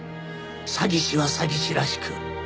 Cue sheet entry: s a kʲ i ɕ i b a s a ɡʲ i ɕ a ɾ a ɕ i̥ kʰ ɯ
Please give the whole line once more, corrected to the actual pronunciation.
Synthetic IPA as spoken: s a ɡʲ i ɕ i β a s a ɡʲ i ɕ i ɾ a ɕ i̥ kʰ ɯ

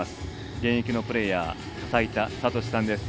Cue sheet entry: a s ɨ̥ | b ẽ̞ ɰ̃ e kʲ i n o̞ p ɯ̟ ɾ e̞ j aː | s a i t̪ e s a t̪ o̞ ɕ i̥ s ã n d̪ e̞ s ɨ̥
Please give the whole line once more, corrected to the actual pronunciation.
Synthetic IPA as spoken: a s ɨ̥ | ɡ ẽ̞ ɰ̃ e kʲ i n o̞ p ɯ̟ ɾ e̞ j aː | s a i t̪ a s a t̪ o̞ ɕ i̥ s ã n d̪ e̞ s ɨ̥

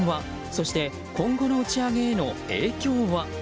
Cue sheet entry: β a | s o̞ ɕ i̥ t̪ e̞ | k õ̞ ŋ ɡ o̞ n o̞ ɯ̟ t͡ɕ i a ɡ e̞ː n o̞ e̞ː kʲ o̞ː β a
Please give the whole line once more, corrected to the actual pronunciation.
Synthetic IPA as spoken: β a | s o̞ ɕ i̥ t̪ e̞ | k õ̞ ŋ ɡ o̞ n o̞ ɯ̟ t͡ɕ i a ɡ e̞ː n o̞ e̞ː kʲ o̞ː β a

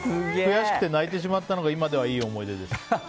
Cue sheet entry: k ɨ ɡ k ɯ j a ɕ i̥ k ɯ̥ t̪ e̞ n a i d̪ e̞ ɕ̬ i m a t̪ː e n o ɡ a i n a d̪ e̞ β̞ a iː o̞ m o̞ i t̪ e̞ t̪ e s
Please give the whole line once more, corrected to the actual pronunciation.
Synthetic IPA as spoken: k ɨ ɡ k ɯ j a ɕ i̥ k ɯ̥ t̪ e̞ n a i t̪ e̞ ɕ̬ i m a t̪ː a n o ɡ a i m a d̪ e̞ β̞ a iː o̞ m o̞ i d̪ e̞ d̪ e s

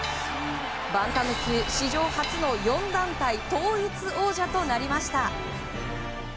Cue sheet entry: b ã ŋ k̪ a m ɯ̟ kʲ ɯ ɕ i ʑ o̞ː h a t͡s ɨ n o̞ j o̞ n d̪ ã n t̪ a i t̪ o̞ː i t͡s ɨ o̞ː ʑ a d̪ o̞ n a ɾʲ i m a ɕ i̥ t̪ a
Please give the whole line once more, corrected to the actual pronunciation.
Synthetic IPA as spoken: b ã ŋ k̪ a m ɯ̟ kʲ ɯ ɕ i ʑ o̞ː h a t͡s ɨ n o̞ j õ̞ n d̪ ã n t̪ a i t̪ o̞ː i t͡s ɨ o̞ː ʑ a t̪ o̞ n a ɾʲ i m a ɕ i̥ t̪ a

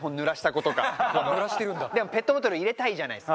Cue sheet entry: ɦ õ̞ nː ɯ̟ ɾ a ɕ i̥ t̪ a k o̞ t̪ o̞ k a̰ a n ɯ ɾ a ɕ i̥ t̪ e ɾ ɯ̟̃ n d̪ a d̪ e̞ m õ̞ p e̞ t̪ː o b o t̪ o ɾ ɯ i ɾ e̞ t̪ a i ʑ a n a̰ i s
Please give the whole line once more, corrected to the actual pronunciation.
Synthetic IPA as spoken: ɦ õ̞ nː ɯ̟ ɾ a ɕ i̥ t̪ a k o̞ t̪ o̞ k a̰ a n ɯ ɾ a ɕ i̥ t̪ e ɾ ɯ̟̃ n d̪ a d̪ e̞ m o̞ p e̞ t̪ː o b o t̪ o ɾ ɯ i ɾ e̞ t̪ a i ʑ a n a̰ i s

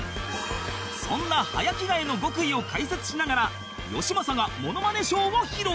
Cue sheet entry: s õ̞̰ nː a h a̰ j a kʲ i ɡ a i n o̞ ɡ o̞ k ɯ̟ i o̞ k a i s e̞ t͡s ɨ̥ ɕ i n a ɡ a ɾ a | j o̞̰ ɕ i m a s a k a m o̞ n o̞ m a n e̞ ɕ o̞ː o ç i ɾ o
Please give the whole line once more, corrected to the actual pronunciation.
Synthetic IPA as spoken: s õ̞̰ nː a h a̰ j a kʲ i ɡ a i n o̞ ɡ o̞ k ɯ̟ i o̞ k a i s e̞ t͡s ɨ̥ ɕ i n a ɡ a ɾ a | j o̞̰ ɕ i m a s a ɡ a m o̞ n o̞ m a n e̞ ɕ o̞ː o ç i ɾ o

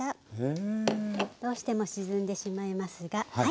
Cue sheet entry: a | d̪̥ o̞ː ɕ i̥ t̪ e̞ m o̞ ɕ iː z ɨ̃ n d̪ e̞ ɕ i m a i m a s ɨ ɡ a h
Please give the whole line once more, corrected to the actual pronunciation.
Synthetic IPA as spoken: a | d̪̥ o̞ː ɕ i̥ t̪ e̞ m o̞ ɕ i z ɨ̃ n d̪ e̞ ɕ i m a i m a s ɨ ɡ a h

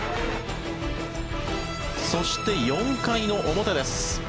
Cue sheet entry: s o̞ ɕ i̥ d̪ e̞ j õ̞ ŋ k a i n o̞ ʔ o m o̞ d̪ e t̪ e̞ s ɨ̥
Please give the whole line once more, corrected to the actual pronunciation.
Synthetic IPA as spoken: s o̞ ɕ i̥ t̪ e̞ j õ̞ ŋ k a i n o̞ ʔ o m o̞ t̪ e d̪ e̞ s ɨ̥

